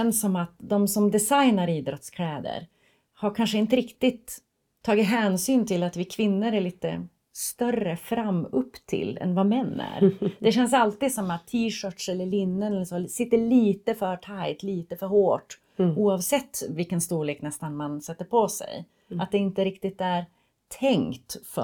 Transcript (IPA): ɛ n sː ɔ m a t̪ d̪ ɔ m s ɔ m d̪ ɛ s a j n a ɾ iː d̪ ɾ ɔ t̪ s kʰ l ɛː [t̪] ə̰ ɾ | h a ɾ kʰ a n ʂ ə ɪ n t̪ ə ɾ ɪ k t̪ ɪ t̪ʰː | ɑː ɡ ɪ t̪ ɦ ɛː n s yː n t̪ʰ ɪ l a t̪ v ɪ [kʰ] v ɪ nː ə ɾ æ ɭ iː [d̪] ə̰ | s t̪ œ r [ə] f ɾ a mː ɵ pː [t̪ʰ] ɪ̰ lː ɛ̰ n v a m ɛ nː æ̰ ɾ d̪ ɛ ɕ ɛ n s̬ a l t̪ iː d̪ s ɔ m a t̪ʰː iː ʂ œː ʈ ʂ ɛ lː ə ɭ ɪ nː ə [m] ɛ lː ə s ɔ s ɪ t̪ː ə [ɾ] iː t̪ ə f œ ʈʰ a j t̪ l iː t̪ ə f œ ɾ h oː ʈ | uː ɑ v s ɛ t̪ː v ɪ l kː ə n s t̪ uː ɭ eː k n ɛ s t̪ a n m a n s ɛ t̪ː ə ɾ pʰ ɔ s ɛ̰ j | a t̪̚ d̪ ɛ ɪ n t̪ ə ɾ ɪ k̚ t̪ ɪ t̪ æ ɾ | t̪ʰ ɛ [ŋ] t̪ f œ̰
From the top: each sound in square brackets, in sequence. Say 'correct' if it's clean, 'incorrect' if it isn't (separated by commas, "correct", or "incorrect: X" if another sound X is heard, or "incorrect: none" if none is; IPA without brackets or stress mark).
incorrect: d̪, correct, incorrect: t̪, correct, correct, incorrect: n, incorrect: ɭ, correct